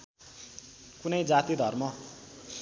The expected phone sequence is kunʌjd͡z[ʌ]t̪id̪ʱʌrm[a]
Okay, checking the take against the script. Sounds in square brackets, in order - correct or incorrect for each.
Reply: incorrect: a, incorrect: ʌ

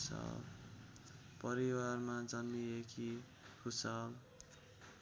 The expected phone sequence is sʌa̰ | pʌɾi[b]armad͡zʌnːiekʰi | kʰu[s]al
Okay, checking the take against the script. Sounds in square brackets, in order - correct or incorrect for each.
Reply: incorrect: w, correct

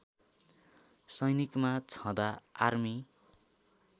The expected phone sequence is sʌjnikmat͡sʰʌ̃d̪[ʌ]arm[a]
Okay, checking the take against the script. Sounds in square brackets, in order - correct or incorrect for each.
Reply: incorrect: a, incorrect: i

